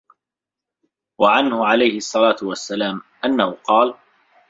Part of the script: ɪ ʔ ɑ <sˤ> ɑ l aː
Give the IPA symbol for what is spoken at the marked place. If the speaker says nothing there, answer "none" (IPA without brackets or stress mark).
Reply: sˤː